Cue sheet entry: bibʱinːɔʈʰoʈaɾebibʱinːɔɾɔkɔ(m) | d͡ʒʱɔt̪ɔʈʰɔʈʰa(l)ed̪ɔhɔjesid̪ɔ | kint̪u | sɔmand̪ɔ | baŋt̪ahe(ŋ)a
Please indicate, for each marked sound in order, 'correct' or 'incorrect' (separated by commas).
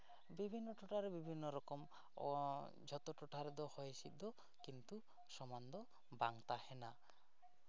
correct, incorrect, incorrect